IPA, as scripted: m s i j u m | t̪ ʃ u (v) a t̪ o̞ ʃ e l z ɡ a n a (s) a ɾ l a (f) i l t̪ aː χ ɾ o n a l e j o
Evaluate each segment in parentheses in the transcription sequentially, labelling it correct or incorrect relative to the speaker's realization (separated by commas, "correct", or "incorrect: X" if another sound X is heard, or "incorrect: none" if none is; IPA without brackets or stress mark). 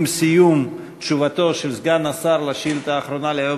correct, correct, incorrect: ʃ